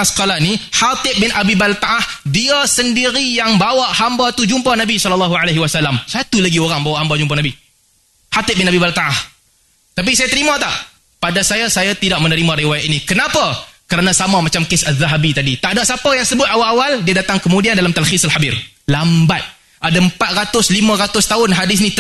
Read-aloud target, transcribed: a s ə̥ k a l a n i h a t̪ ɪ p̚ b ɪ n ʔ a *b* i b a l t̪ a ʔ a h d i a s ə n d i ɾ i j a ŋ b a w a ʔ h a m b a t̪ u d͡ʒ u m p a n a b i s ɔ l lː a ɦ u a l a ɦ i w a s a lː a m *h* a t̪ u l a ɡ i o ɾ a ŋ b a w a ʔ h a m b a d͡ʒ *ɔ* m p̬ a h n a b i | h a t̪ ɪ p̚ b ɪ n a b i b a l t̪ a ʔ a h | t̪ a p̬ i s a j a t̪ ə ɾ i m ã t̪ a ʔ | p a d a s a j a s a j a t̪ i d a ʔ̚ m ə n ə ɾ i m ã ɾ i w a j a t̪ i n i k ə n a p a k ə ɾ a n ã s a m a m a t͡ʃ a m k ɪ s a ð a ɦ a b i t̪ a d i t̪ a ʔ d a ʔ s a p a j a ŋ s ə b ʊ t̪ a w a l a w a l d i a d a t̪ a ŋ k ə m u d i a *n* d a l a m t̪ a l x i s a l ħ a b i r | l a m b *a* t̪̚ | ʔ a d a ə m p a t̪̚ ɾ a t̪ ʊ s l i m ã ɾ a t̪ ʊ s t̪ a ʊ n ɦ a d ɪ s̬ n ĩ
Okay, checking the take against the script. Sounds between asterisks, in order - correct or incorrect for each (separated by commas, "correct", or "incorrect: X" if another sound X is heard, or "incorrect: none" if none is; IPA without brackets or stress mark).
correct, incorrect: s, incorrect: u, correct, correct